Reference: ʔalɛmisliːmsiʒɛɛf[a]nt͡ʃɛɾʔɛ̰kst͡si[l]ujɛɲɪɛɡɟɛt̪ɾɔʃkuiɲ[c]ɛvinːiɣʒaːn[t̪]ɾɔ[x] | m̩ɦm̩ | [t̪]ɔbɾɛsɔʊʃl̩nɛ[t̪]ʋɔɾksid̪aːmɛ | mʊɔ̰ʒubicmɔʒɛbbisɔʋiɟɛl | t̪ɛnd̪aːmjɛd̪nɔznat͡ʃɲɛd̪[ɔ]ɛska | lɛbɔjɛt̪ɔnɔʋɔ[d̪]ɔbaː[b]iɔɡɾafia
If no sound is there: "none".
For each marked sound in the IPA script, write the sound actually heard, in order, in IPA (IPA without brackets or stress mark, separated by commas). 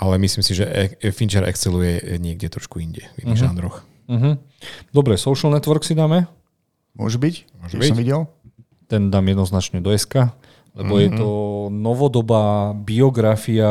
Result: i, l, ɟ, d̪, x, d̪, t̪, ɔ, d̪, b